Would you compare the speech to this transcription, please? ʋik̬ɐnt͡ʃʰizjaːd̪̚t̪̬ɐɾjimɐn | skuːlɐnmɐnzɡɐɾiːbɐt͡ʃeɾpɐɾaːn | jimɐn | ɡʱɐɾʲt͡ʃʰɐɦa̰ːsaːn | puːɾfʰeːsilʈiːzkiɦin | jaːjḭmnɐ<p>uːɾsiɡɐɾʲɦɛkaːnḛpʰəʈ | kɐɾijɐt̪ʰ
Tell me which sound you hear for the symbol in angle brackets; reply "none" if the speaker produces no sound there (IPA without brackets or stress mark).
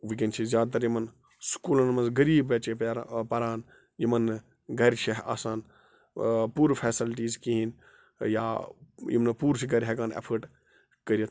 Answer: p